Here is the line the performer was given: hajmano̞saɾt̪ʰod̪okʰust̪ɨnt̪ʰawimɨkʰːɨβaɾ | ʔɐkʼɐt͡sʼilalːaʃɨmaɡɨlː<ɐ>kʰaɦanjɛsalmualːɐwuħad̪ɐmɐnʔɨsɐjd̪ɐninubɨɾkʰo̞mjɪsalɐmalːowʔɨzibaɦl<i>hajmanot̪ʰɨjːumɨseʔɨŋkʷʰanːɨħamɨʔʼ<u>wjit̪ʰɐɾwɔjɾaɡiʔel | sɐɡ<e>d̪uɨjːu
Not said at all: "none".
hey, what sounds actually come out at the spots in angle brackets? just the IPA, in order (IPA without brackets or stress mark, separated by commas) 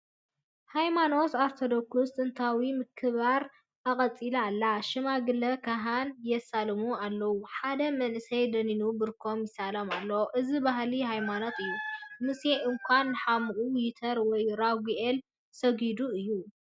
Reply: ɐ, i, u, i